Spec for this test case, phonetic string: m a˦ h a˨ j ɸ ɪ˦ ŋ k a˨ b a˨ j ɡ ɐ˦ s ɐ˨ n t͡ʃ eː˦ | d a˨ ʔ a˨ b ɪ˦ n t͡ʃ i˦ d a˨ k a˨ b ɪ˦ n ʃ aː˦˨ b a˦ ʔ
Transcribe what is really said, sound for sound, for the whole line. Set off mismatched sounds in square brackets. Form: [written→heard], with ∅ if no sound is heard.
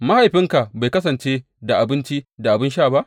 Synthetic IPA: m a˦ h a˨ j ɸ ɪ˦ ŋ k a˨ b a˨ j [ɡ→k] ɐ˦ s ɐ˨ n t͡ʃ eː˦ | d a˨ ʔ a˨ b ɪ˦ n t͡ʃ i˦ d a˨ [k→ʔ] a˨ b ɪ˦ n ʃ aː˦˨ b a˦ ʔ